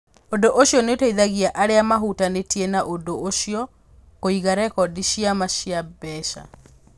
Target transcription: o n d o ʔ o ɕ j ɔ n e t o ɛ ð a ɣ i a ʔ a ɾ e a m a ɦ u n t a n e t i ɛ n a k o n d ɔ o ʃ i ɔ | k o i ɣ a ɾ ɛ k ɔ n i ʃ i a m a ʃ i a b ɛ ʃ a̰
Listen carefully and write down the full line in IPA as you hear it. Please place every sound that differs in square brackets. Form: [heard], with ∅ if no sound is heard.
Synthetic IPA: o n d o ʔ o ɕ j ɔ n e t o [i] ð a ɣ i a ʔ a ɾ e a m a ɦ u [∅] t a n e t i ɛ n a [ʔ] o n d [o] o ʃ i ɔ | k o i ɣ a ɾ ɛ k ɔ [d] i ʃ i a m a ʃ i a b ɛ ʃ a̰